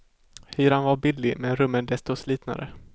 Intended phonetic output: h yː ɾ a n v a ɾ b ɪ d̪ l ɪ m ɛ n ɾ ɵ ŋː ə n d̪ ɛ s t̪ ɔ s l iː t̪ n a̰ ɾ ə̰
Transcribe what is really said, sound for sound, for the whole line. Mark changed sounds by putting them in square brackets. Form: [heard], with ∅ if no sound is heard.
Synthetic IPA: h yː ɾ a n v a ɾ b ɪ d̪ l ɪ m ɛ n ɾ ɵ [mː] ə n d̪ ɛ s t̪ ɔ s l iː t̪ n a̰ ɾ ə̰